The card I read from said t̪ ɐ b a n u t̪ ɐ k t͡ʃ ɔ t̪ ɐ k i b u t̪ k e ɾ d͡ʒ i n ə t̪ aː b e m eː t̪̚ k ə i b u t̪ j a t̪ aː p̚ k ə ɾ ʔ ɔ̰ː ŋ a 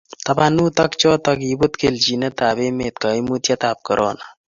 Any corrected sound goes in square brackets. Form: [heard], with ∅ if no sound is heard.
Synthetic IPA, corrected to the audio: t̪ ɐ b a n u t̪ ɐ k t͡ʃ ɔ t̪ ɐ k i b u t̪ k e [l] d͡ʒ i n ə t̪ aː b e m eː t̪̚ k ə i [m] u t̪ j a t̪ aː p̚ k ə ɾ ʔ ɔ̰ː [n] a